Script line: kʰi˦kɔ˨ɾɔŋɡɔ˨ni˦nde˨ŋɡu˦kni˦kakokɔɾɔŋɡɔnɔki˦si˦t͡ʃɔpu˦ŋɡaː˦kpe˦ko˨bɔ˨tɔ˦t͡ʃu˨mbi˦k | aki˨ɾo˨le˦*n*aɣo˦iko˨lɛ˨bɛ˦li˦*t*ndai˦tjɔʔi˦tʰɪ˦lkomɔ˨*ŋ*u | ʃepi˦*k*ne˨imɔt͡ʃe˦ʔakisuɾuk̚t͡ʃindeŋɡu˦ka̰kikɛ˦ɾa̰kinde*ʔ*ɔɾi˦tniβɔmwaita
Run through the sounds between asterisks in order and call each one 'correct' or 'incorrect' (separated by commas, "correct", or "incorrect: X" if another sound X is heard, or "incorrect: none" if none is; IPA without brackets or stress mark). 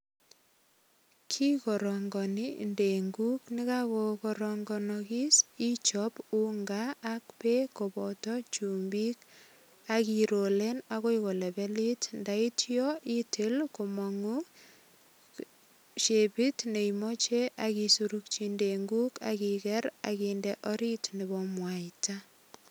correct, correct, correct, incorrect: t, correct